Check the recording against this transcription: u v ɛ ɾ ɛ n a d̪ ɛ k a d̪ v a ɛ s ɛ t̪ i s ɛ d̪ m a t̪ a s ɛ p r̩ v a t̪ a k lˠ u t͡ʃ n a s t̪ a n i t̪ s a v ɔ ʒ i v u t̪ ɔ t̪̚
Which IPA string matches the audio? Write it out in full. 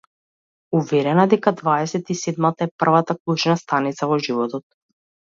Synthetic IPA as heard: u v ɛ ɾ ɛ n a d̪ ɛ k a d̪ v a ɛ s ɛ t̪ i s ɛ d̪ m a t̪ a ɛ p r̩ v a t̪ a k lˠ u t͡ʃ n a s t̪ a n i t̪ s a v ɔ ʒ i v ɔ t̪ ɔ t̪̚

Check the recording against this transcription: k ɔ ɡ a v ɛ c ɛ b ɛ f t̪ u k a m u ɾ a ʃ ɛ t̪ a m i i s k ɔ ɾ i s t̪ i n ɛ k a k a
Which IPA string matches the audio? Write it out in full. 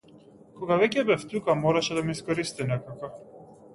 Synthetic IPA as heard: k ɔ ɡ a v ɛ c ɛ b ɛ f t̪ u k a m ɔ ɾ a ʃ ɛ d̪ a m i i s k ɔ ɾ i s t̪ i n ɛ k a k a

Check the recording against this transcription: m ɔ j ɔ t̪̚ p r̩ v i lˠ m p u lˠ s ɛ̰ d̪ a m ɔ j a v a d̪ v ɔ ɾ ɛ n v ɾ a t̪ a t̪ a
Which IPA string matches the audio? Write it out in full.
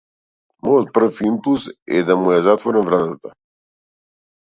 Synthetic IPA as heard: m ɔ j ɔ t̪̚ p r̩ f i m p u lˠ s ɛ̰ d̪ a m u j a z a t̪ v ɔ ɾ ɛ n v ɾ a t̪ a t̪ a

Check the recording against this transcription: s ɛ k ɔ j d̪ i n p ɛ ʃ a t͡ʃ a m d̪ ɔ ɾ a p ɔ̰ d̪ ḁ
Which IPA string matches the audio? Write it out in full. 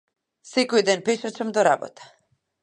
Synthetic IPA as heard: s ɛ k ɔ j d̪ ɛ n p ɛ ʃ a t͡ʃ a m d̪ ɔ ɾ a b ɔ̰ t̪ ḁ

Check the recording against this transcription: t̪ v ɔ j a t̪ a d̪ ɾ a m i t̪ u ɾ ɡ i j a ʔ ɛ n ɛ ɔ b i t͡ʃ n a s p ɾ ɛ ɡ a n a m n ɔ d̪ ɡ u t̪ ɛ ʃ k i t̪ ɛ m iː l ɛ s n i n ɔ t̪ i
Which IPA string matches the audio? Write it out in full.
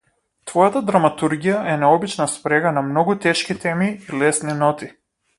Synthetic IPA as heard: t̪ v ɔ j a t̪ a d̪ ɾ a m a t̪ u ɾ ɡ i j a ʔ ɛ n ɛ ɔ b i t͡ʃ n a s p ɾ ɛ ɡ a n a m n ɔ ɡ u t̪ ɛ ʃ k i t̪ ɛ m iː l ɛ s n i n ɔ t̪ i

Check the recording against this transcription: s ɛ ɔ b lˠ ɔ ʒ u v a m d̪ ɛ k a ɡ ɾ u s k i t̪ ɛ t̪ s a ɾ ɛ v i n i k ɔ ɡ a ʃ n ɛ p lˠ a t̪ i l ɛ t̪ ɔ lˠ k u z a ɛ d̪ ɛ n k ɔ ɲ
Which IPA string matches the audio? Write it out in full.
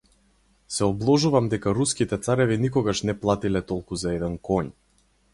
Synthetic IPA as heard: s ɛ ɔ b lˠ ɔ ʒ u v a m d̪ ɛ k a ɾ u s k i t̪ ɛ t̪ s a ɾ ɛ v i n i k ɔ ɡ a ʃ n ɛ p lˠ a t̪ i l ɛ t̪ ɔ lˠ k u z a ɛ d̪ ɛ n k ɔ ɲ

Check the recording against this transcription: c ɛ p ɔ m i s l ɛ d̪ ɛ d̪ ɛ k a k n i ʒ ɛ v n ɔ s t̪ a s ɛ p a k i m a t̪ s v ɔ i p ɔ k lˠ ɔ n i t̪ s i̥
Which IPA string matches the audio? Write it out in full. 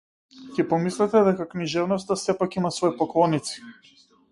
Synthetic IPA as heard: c ɛ p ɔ m i s l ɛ t̪ ɛ d̪ ɛ k a k n i ʒ ɛ v n ɔ s t̪ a s ɛ p a k i m a s v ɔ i p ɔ k lˠ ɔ n i t̪ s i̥

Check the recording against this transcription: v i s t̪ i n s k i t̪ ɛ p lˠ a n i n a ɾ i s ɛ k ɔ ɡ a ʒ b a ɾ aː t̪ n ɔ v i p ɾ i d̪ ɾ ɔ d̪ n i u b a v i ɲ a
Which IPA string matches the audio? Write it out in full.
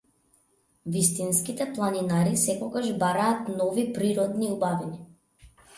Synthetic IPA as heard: v i s t̪ i n s k i t̪ ɛ p lˠ a n i n a ɾ i s ɛ k ɔ ɡ a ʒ b a ɾ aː t̪ n ɔ v i p ɾ i ɾ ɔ d̪ n i u b a v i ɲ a

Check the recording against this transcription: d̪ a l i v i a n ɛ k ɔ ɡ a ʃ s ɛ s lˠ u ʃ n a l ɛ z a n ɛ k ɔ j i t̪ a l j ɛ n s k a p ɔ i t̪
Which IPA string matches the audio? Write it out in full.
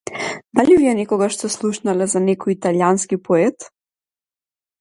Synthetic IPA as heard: d̪ a l i v i ɛ n ɛ k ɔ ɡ a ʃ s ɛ s lˠ u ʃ n a l ɛ z a n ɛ k ɔ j i t̪ a l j a n s k i p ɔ ɛ t̪

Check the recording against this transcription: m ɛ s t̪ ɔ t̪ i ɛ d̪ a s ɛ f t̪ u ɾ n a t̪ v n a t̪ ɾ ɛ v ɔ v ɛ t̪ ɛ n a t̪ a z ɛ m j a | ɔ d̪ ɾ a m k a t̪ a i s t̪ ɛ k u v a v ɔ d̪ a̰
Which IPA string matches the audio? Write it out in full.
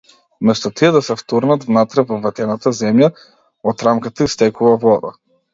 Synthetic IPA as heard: m ɛ s t̪ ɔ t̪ i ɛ d̪ a s ɛ f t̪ u ɾ n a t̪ v n a t̪ ɾ ɛ v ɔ v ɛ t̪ ɛ n a t̪ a z ɛ m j a | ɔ t̪ ɾ a m k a t̪ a i s t̪ ɛ k u v a v ɔ d̪ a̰

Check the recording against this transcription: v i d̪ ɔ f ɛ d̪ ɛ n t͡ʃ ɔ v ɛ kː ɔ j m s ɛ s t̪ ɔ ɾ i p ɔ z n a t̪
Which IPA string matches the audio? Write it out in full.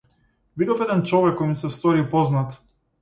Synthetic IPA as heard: v i d̪ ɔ f ɛ d̪ ɛ n t͡ʃ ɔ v ɛ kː ɔ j m s ɛ s t̪ ɔ ɾ i p ɔ z n a t̪

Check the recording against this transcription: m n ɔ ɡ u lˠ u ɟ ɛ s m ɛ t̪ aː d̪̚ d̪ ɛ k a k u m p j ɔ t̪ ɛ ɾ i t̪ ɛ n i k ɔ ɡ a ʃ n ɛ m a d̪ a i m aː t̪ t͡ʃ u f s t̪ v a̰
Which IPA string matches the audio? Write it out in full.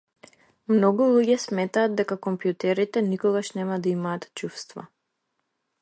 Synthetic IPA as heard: m n ɔ ɡ u lˠ u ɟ ɛ s m ɛ t̪ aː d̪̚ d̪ ɛ k a k ɔ m p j u t̪ ɛ ɾ i t̪ ɛ n i k ɔ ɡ a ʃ n ɛ m a d̪ a i m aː t̪ t͡ʃ u f s t̪ v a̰

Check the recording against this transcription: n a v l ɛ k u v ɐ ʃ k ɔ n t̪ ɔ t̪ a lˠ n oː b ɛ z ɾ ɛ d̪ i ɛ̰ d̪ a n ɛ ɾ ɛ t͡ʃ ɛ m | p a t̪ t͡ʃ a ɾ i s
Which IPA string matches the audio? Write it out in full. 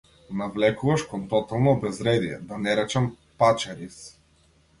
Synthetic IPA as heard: n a v l ɛ k u v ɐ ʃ k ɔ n t̪ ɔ t̪ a lˠ n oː b ɛ z ɾ ɛ d̪ i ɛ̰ d̪ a n ɛ ɾ ɛ t͡ʃ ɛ m | p a t͡ʃ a ɾ i s

